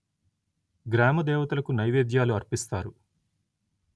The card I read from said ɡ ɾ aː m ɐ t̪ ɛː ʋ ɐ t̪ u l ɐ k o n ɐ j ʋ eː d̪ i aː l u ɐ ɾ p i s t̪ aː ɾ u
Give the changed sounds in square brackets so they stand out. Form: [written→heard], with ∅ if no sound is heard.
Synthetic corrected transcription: ɡ ɾ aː m ɐ [t̪→d̪] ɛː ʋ ɐ t̪ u l ɐ k [o→u] n ɐ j ʋ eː d̪ [i→j] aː l u ɐ ɾ p i s t̪ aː ɾ u

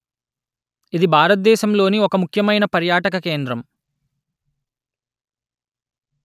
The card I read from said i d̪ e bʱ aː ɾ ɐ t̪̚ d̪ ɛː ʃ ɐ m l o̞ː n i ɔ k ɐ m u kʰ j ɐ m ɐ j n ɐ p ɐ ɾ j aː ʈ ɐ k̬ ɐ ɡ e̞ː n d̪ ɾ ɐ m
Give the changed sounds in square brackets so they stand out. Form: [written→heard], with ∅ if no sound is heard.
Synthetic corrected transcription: i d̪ [e→i] bʱ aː ɾ ɐ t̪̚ d̪ ɛː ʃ ɐ m l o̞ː n i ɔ k ɐ m u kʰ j ɐ m ɐ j n ɐ p ɐ ɾ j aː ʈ ɐ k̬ ɐ [ɡ→k] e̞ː n d̪ ɾ ɐ m

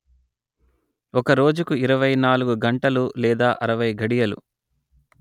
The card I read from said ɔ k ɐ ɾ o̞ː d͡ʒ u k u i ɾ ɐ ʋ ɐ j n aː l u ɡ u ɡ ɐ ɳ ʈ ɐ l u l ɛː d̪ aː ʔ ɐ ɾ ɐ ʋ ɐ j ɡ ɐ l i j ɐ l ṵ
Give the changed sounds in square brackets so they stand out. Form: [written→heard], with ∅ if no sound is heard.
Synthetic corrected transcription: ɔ k ɐ ɾ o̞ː d͡ʒ u k u i ɾ ɐ ʋ ɐ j n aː l u ɡ u ɡ ɐ ɳ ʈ ɐ l u l ɛː d̪ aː ʔ ɐ ɾ ɐ ʋ ɐ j ɡ ɐ [l→ɽ] i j ɐ l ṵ

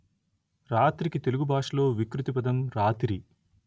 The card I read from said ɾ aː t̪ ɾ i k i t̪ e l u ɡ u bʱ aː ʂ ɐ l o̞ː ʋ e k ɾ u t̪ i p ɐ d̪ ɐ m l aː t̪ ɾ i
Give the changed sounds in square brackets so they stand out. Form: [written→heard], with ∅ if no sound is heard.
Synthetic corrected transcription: ɾ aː t̪ ɾ i k i t̪ e l u ɡ u bʱ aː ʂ ɐ l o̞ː ʋ [e→i] k ɾ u t̪ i p ɐ d̪ ɐ m [l→ɾ] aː t̪ ɾ i

